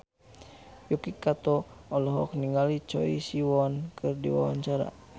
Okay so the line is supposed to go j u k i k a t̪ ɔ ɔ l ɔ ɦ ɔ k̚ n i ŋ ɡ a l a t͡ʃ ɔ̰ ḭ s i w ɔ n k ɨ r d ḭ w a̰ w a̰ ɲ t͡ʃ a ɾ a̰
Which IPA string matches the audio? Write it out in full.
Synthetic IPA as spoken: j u k i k a t̪ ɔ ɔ l ɔ ɦ ɔ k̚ n i ŋ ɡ a l i t͡ʃ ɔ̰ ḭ s i w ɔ n k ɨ r d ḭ w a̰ w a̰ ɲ t͡ʃ a ɾ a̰